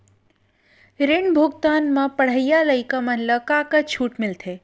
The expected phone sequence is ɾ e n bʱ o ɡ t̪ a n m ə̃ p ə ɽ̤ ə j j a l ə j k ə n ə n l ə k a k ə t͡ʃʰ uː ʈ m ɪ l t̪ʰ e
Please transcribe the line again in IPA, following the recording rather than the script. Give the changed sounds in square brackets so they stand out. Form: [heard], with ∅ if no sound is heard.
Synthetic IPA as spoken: ɾ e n bʱ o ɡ t̪ a n m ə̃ p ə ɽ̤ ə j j a l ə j k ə [m] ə n l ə k a k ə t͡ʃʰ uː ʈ m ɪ l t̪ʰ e